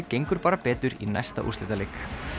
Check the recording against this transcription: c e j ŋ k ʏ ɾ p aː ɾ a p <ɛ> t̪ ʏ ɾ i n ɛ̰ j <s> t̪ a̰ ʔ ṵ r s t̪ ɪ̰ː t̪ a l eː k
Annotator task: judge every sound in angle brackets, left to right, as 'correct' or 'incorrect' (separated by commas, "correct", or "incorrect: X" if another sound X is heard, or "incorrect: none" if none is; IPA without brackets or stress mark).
incorrect: ɛː, correct